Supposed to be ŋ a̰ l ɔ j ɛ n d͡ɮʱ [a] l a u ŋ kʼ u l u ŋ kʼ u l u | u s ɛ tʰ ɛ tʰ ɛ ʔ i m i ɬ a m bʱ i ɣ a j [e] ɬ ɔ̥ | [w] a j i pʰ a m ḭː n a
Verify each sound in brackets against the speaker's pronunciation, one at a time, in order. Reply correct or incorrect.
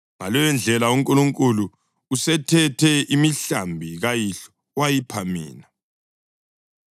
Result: incorrect, incorrect, correct

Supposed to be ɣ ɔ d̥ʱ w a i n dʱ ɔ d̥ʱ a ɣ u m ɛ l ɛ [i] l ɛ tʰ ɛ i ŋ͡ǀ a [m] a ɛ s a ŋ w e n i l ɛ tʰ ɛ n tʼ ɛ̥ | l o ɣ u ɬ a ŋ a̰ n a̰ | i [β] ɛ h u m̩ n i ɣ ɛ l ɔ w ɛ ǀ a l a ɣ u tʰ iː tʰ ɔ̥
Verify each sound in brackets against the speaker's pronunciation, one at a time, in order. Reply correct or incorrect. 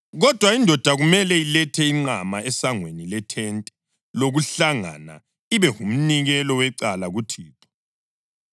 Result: correct, correct, correct

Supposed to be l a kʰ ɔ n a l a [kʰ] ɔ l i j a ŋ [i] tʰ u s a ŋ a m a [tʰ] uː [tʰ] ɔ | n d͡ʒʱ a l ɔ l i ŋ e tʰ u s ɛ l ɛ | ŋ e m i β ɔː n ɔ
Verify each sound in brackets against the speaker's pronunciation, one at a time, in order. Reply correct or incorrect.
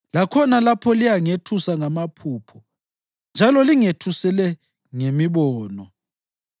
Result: incorrect, incorrect, incorrect, incorrect

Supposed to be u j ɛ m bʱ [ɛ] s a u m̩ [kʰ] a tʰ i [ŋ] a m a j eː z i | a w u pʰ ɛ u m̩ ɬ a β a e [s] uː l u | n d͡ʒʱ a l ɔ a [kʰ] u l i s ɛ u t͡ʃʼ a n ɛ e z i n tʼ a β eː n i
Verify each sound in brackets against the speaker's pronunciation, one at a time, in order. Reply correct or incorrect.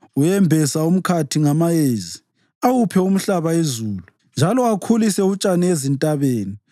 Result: correct, correct, correct, incorrect, correct

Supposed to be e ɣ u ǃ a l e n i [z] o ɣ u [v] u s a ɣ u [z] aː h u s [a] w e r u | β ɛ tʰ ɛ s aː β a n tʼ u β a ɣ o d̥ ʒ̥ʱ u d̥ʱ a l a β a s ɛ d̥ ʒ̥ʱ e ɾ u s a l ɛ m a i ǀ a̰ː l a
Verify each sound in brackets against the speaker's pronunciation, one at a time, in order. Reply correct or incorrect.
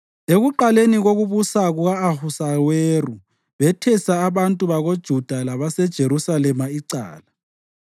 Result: incorrect, incorrect, incorrect, correct

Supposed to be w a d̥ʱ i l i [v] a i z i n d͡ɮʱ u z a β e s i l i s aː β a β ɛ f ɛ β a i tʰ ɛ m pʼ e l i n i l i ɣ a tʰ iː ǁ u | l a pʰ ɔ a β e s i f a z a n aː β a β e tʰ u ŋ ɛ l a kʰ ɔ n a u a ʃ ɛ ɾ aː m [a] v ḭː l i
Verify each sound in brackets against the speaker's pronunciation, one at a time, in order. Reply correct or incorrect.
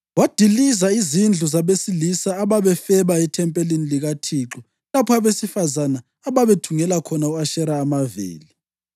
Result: incorrect, correct

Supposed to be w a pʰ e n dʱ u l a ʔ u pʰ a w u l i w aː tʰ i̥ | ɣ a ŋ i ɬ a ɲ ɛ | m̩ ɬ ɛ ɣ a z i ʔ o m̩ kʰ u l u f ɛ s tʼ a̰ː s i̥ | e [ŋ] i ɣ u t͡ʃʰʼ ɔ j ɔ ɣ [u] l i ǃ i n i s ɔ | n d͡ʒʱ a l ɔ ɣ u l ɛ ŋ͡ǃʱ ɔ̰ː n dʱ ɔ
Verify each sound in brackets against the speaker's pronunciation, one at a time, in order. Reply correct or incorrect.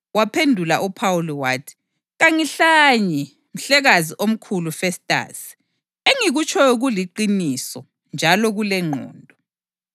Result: correct, correct

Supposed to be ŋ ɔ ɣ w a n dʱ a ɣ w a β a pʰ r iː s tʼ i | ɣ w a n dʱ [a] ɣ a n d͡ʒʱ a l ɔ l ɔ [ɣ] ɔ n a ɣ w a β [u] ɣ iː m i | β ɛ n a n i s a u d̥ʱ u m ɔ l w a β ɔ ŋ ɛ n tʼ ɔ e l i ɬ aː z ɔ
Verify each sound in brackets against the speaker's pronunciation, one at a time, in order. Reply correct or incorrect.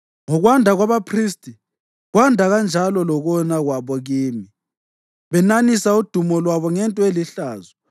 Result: correct, correct, incorrect

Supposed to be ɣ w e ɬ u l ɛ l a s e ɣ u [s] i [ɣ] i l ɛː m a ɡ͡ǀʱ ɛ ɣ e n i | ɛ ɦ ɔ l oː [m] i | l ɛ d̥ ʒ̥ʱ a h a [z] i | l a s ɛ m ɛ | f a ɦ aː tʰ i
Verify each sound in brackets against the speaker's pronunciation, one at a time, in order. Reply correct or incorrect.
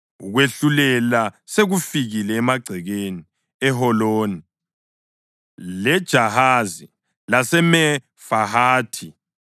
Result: incorrect, correct, incorrect, correct

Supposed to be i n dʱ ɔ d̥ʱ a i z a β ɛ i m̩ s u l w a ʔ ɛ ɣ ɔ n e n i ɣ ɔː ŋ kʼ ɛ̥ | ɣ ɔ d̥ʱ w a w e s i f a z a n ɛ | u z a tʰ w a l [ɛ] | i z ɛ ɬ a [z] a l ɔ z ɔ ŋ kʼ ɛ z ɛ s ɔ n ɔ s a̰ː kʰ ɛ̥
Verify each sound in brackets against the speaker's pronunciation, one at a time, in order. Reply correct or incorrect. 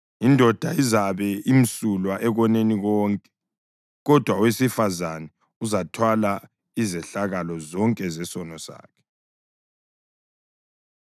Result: incorrect, incorrect

